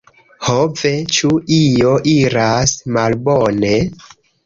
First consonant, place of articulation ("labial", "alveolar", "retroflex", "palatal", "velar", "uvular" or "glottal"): glottal